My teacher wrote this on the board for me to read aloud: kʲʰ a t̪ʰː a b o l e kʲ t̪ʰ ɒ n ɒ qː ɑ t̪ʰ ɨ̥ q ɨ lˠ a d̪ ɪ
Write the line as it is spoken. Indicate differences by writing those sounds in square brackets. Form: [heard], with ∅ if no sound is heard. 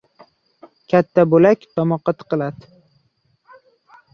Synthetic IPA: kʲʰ a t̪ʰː a b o l [a] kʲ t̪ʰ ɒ [m] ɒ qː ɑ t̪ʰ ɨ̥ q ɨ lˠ a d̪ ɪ